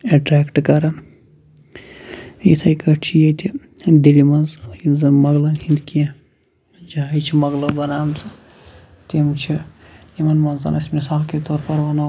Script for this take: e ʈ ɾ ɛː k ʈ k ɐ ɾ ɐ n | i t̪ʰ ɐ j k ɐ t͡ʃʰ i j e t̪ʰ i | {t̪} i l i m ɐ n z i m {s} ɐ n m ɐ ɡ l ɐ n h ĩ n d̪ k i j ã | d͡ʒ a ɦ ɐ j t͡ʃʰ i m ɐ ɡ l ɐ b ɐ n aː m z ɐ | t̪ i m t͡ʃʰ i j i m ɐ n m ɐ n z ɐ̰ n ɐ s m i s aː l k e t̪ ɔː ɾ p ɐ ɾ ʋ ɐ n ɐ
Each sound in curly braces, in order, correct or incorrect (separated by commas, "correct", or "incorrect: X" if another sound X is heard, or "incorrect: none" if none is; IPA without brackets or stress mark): incorrect: d̪, incorrect: z